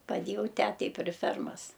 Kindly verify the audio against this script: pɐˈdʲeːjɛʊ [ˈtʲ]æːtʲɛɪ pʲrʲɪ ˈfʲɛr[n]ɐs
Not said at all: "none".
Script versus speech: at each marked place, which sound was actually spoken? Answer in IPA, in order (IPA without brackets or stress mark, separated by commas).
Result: tʲ, m